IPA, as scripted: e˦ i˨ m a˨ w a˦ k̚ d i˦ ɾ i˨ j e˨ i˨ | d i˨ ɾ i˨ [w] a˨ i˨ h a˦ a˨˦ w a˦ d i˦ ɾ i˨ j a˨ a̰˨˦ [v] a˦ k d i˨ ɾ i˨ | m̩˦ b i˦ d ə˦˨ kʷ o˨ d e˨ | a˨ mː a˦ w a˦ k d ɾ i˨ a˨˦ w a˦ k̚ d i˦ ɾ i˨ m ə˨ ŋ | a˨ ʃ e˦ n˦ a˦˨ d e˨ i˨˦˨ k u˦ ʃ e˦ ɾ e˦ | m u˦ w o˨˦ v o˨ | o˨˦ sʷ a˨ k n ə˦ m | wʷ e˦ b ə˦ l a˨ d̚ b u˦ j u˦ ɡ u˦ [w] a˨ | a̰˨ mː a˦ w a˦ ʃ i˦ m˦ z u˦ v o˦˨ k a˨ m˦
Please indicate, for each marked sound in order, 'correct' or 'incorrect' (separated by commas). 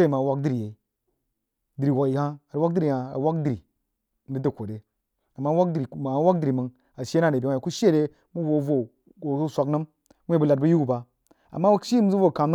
correct, incorrect, incorrect